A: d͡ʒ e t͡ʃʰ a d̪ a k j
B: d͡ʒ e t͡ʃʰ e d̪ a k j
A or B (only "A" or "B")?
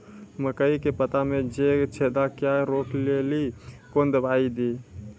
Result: B